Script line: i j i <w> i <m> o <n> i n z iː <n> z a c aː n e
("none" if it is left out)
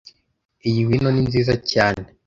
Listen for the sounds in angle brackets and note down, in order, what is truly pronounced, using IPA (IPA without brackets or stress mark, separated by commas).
w, n, n, none